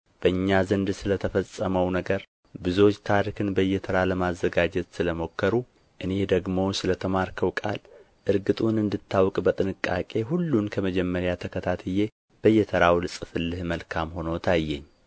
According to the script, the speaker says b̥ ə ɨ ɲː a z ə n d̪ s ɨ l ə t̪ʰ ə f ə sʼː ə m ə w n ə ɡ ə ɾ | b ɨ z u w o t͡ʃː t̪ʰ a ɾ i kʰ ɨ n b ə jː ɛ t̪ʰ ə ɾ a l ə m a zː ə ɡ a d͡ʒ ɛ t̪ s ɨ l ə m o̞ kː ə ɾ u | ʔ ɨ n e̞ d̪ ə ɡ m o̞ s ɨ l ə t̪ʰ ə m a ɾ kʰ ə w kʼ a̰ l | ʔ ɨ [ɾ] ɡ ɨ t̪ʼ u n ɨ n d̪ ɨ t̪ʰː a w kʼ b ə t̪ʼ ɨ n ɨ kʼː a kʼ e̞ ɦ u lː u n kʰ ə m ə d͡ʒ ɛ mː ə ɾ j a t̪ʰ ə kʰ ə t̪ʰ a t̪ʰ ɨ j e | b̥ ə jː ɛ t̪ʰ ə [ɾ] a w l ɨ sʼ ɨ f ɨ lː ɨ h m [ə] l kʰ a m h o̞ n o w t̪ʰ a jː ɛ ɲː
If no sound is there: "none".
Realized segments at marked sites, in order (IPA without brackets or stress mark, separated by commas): ɾ, ɾ, ə